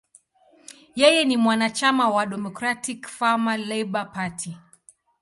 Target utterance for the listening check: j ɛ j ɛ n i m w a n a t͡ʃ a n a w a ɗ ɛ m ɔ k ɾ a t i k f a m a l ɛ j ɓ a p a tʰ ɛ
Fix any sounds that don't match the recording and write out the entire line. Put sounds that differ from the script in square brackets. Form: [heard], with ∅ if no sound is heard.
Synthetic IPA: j ɛ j ɛ n i m w a n a t͡ʃ a [m] a w a ɗ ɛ m ɔ k ɾ a t i k f a m a l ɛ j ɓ a p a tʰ [i]